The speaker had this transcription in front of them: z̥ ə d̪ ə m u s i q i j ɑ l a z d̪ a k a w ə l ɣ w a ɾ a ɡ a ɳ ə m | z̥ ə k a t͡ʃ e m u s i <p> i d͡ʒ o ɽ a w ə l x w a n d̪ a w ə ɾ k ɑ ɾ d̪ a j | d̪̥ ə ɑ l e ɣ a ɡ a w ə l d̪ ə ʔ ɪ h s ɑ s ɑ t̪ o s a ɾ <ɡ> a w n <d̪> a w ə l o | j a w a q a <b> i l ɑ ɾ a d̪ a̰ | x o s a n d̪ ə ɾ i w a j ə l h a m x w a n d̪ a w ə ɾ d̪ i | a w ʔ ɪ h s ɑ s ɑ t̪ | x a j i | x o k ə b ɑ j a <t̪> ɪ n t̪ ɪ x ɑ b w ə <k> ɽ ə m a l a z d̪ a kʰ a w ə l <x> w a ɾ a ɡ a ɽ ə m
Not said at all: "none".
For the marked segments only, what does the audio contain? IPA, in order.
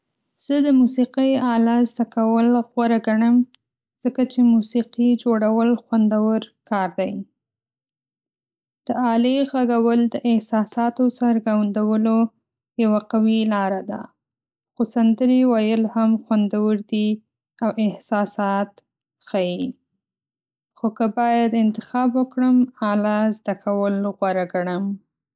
q, ɡ, d̪, w, d̪, k, ɣ

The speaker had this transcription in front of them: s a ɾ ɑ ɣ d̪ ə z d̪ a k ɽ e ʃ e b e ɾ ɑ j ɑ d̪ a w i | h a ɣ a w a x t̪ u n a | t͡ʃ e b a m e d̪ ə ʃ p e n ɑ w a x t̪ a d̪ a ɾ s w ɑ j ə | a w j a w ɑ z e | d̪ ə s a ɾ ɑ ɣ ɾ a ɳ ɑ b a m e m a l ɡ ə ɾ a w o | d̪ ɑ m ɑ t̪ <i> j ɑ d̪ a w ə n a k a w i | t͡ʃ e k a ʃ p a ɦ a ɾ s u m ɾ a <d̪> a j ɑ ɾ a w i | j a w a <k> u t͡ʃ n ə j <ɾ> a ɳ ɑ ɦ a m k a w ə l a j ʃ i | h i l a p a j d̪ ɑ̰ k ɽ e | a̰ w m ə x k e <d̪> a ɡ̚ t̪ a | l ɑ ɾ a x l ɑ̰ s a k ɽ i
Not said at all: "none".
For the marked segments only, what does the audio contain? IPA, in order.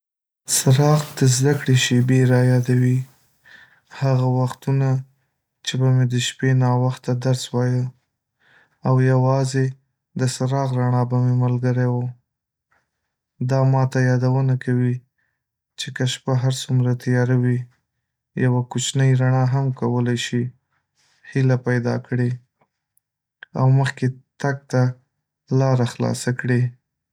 a, t̪, k, ɾ, t̪

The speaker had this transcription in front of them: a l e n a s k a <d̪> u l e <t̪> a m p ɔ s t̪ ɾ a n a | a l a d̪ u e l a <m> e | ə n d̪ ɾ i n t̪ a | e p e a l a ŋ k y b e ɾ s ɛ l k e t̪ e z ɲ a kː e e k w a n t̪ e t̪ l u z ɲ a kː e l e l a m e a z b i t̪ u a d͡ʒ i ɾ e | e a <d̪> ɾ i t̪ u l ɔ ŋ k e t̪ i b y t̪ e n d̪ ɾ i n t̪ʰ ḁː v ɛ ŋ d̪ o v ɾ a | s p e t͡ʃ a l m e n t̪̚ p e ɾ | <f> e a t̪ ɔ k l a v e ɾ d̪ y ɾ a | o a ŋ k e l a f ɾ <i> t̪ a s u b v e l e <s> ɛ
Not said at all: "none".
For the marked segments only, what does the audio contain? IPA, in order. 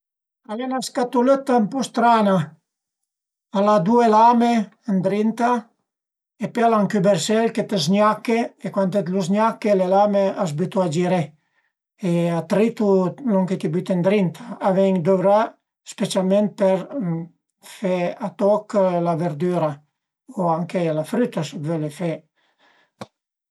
t̪, t̪, m, t̪, f, y, f

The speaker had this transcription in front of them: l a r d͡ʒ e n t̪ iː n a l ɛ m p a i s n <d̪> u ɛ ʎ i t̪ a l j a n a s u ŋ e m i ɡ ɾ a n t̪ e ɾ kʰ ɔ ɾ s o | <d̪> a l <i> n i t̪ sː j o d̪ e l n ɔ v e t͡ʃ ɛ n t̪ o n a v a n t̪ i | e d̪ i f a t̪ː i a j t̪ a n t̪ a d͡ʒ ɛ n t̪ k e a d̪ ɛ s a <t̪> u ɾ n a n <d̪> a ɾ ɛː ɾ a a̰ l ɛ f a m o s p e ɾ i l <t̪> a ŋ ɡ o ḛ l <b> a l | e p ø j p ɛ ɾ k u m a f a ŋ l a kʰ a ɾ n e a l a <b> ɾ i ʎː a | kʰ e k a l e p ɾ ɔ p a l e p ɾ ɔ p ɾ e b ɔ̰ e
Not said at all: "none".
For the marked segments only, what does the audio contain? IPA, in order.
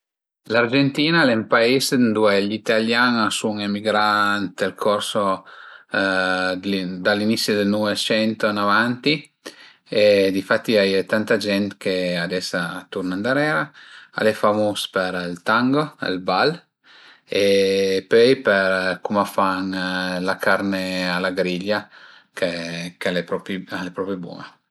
d̪, d̪, i, t̪, d̪, t̪, b, ɡ

